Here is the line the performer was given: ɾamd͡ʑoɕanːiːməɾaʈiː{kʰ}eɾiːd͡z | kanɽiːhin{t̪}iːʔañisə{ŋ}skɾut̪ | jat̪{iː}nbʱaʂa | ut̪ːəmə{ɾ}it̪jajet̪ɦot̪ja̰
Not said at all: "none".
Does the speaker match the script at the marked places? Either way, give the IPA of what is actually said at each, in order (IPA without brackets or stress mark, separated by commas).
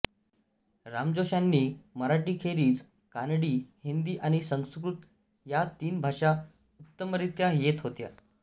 kʰ, d̪, ŋ, iː, ɾ